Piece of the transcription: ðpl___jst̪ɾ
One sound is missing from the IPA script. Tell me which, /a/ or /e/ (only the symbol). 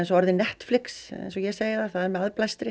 a